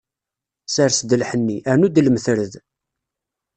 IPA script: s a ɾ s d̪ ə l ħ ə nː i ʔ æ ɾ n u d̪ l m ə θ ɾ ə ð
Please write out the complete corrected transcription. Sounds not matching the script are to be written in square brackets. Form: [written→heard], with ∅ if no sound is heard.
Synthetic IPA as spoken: s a ɾ s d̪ ə l ħ ə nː i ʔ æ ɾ n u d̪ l m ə θ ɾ ə ð